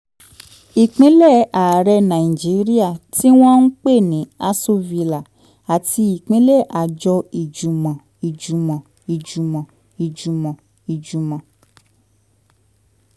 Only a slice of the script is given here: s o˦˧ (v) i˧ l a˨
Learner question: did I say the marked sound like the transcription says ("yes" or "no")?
yes